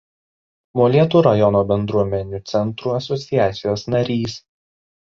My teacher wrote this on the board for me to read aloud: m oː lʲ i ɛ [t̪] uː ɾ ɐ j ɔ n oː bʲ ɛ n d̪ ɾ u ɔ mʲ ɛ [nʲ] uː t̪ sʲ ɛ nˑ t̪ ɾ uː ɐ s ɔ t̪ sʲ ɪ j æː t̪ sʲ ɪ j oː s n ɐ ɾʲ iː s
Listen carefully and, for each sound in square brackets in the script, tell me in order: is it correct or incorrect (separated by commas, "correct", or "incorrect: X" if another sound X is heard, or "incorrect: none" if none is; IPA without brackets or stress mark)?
correct, correct